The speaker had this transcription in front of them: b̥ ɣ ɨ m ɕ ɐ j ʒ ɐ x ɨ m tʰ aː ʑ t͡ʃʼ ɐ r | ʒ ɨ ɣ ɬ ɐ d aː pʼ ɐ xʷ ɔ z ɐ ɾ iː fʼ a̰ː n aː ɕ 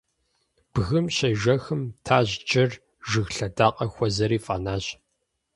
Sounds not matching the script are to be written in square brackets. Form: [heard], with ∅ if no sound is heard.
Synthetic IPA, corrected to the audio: b̥ ɣ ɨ m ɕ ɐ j ʒ ɐ x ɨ m tʰ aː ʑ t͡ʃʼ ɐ r | ʒ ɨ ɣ ɬ ɐ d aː [qʼ] ɐ xʷ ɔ z ɐ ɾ iː fʼ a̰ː n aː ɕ